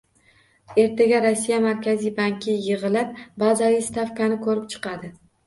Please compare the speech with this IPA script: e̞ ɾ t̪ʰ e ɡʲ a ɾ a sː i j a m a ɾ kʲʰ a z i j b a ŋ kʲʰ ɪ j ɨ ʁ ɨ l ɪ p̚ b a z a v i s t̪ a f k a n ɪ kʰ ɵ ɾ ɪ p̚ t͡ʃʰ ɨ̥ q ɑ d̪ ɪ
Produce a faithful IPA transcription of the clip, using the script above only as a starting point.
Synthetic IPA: e̞ ɾ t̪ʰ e ɡʲ a ɾ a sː i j a m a ɾ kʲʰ a z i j b a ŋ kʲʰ ɪ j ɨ ʁ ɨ l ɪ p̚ b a z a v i s t̪ a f k a n ɪ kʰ ɵ ɾ ɪ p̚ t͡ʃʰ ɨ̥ q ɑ d̪ ɪ